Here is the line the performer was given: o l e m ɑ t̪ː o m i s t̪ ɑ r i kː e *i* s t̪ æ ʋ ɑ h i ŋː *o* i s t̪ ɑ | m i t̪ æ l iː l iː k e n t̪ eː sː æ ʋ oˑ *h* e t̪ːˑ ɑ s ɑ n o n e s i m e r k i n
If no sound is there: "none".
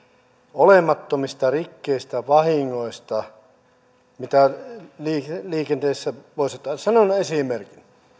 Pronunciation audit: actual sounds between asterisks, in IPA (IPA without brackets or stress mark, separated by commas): i, o, s